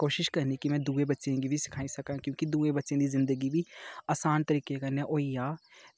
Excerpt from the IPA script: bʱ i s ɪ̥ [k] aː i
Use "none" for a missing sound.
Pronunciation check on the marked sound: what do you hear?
kʰ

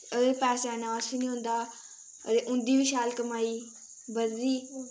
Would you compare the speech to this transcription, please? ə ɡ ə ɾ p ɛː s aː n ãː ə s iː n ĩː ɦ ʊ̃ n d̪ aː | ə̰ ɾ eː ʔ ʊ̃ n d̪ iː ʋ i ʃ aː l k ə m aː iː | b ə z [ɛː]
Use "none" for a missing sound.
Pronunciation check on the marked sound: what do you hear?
iː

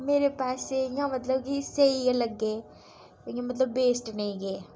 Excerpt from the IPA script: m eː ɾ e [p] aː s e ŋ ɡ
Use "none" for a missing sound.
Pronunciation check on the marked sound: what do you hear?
p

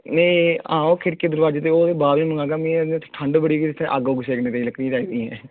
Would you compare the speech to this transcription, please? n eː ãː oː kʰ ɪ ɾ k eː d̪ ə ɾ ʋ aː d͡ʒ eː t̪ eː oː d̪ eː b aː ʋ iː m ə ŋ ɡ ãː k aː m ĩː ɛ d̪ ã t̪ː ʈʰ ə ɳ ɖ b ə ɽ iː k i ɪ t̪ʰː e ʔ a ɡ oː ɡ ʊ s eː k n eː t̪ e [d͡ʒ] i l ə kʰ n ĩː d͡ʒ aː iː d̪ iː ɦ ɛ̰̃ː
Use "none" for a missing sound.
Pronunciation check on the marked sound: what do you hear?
none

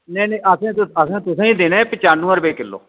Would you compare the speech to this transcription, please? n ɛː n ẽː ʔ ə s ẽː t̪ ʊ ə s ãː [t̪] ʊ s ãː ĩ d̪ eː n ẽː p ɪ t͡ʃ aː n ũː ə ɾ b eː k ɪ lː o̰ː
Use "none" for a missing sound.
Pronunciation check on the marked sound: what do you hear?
t̪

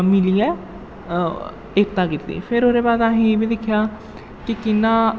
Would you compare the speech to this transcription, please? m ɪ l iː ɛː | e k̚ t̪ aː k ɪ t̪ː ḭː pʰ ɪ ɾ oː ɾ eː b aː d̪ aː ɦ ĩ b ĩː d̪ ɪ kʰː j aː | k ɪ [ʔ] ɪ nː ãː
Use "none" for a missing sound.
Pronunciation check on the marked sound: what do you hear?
k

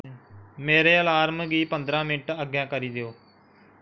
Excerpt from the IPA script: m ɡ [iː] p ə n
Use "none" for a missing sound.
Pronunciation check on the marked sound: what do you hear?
iː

